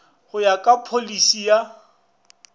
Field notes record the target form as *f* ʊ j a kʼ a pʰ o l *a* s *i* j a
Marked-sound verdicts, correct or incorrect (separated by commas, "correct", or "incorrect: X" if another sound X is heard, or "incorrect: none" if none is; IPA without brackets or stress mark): incorrect: h, incorrect: i, correct